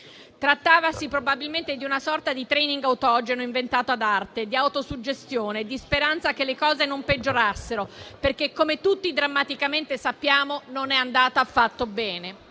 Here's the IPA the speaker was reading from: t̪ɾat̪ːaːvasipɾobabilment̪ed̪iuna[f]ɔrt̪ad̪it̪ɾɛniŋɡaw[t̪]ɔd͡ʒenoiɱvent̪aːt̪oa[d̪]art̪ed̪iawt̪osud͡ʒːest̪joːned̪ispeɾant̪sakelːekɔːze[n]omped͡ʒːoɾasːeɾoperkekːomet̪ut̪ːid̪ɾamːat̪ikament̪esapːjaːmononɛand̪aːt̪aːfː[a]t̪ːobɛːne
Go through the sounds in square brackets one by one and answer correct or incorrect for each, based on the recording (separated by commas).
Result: incorrect, correct, correct, correct, correct